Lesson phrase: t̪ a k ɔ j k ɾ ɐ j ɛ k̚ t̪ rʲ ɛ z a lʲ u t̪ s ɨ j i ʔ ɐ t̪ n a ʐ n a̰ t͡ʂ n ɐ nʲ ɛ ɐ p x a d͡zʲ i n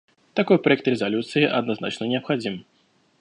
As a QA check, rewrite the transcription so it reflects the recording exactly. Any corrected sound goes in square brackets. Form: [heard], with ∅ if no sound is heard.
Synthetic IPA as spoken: t̪ a k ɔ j [p] ɾ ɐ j ɛ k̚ t̪ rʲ ɛ z a lʲ u t̪ s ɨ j i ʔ ɐ [d̪] n a [z] n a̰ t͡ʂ n ɐ nʲ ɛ ɐ p x a d͡zʲ i [m]